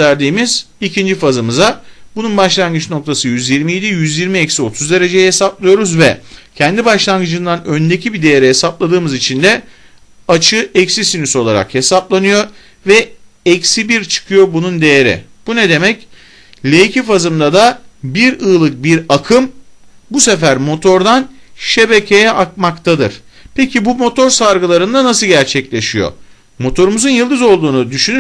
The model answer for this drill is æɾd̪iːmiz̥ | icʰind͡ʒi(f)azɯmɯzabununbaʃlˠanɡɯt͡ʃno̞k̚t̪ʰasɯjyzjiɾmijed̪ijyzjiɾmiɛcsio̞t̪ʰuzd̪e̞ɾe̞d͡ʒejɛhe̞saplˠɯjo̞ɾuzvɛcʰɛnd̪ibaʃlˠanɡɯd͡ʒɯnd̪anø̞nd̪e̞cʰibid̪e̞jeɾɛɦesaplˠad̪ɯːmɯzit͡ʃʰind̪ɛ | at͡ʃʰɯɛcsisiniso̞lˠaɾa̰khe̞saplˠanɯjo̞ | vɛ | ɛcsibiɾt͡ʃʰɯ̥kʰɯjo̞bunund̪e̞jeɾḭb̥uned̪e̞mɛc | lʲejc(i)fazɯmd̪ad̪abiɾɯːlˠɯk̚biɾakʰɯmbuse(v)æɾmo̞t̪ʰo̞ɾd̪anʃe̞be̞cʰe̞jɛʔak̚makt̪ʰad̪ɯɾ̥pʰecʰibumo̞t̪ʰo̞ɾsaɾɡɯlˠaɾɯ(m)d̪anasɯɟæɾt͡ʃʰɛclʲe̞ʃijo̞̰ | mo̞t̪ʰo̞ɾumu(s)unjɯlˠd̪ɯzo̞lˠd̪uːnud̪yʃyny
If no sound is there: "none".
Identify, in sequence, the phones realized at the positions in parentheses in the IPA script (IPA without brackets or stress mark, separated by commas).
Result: f, i, f, n, z